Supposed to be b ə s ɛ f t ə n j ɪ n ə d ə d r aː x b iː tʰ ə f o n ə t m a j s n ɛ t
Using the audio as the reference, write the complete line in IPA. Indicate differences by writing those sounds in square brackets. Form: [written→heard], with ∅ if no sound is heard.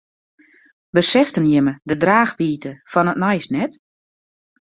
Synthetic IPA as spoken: b ə s ɛ f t ə n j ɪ [n→m] ə d ə d r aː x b iː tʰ ə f [o→ɔ] n ə t [m→n] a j s n ɛ t